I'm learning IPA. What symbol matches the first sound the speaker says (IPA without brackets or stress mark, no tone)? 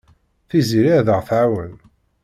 θ